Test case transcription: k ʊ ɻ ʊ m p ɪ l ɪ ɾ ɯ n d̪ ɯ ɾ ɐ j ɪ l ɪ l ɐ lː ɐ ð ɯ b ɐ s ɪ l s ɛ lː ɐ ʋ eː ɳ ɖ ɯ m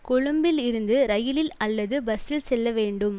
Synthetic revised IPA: k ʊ ɻ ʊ m b ɪ l ɪ ɾ ɯ n d̪ ɯ ɾ ɐ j ɪ l ɪ l ɐ lː ɐ ð ɯ b ɐ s ɪ l s ɛ lː ɐ ʋ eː ɳ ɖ ɯ m